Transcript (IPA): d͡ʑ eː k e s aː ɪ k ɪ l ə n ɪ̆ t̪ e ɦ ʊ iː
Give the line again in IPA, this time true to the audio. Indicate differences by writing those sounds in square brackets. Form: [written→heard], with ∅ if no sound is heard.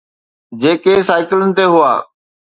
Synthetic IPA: d͡ʑ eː k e s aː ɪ k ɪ l ə n ɪ̆ t̪ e ɦ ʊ [iː→aː]